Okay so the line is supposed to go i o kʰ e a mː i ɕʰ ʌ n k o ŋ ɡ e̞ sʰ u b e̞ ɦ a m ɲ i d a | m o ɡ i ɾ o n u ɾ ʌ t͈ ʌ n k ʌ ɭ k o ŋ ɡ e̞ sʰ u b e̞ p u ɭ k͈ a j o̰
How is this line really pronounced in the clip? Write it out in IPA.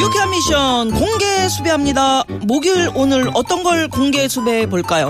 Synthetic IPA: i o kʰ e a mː i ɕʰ ʌ n k o ŋ ɡ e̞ sʰ u b e̞ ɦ a m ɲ i d a | m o ɡ i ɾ o n ɯ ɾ ʌ t͈ ʌ n ɡ ʌ ɭ k o ŋ ɡ e̞ sʰ u b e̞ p o ɭ k͈ a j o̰